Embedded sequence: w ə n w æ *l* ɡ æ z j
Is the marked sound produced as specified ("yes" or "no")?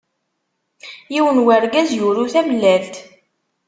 no